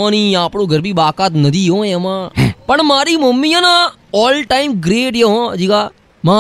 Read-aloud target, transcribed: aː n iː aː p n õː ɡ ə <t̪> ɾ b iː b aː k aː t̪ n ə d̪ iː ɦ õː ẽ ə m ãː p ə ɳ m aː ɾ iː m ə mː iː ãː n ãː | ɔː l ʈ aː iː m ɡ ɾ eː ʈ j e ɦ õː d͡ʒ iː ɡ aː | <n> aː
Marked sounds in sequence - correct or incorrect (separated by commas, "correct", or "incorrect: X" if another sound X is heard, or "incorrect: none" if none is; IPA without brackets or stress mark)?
incorrect: none, incorrect: m